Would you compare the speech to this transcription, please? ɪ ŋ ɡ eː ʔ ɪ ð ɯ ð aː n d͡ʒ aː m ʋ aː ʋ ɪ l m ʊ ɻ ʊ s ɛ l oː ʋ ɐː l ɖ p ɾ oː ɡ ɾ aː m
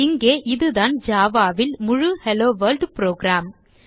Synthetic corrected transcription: ɪ ŋ ɡ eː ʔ ɪ ð ɯ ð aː n d͡ʒ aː ʋ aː ʋ ɪ l m ʊ ɻ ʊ h ɛ l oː ʋ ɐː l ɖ p ɾ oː ɡ ɾ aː m